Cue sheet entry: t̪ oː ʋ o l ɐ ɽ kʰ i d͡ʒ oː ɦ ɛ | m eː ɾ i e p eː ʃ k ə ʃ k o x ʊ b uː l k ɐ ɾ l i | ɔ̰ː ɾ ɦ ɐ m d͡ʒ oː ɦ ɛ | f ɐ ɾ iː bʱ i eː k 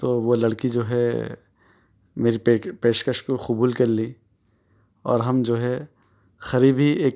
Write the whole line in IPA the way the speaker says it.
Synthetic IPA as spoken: t̪ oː ʋ o l ɐ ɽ k i d͡ʒ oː ɦ ɛ | m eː ɾ i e p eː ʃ k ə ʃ k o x ʊ b uː l k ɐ ɾ l i | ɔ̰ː ɾ ɦ ɐ m d͡ʒ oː ɦ ɛ | x ɐ ɾ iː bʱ i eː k